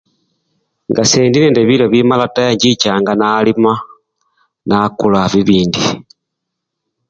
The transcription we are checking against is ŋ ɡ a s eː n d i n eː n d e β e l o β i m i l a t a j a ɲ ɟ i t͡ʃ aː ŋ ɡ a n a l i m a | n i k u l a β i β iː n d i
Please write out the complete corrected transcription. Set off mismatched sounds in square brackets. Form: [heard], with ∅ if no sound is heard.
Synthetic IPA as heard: ŋ ɡ a s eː n d i n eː n d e β [i] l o β i m [a] l a t a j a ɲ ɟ i t͡ʃ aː ŋ ɡ a n a l i m a | n [a] k u l a β i β iː n d i

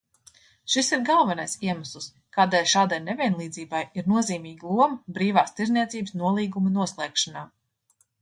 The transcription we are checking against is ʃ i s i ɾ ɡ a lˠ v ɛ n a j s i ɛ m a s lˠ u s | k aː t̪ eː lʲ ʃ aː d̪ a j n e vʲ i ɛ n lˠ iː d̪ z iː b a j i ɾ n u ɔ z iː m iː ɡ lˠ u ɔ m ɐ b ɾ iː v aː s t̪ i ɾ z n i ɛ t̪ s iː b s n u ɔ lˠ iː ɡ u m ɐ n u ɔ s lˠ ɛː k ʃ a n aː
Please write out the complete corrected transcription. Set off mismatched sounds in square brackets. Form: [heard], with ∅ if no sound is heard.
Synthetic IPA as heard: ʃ i s i ɾ ɡ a lˠ v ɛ n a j s i ɛ m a s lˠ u s | k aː [d̪] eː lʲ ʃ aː d̪ a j n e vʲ i ɛ n lˠ iː d̪ z iː b a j i ɾ n u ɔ z iː m iː ɡ lˠ u ɔ m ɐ b ɾ iː v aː s t̪ i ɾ z n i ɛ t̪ s iː b s n u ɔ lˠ iː ɡ u m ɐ n u ɔ s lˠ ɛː k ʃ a n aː

